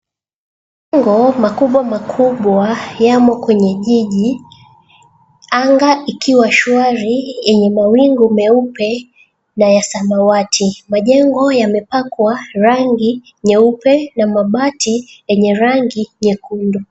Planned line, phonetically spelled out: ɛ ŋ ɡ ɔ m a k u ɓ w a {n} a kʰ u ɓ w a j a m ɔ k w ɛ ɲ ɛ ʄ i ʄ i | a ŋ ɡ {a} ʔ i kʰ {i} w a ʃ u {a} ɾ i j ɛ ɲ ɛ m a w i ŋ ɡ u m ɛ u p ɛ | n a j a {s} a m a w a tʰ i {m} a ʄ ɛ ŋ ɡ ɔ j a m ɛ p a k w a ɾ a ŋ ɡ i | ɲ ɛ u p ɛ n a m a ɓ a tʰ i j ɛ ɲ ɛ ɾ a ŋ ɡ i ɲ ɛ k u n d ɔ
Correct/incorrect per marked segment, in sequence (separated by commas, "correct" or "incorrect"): incorrect, correct, correct, correct, correct, correct